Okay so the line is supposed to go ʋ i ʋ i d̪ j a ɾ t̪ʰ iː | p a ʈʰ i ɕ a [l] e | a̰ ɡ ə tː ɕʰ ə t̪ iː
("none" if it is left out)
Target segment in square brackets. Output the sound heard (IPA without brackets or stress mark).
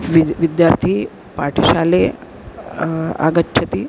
l